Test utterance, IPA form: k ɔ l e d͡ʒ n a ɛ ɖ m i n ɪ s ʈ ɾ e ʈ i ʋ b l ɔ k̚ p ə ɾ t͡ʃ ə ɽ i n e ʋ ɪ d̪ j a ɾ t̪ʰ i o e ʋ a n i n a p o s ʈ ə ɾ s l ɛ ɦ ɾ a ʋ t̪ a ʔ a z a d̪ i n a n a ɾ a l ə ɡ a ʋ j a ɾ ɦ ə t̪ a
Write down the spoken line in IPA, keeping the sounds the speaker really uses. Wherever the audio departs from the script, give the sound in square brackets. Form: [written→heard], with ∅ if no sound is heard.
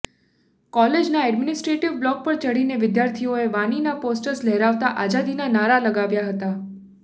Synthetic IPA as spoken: k ɔ l e d͡ʒ n a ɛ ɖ m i n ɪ s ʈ ɾ e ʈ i ʋ b l ɔ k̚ p ə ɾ t͡ʃ ə ɽ i n e ʋ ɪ d̪ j a ɾ t̪ʰ i o e ʋ a n i n a p o s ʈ ə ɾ s l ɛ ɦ ɾ a ʋ t̪ a ʔ a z a d̪ i n a n a ɾ a l ə ɡ a ʋ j a [ɾ→∅] ɦ ə t̪ a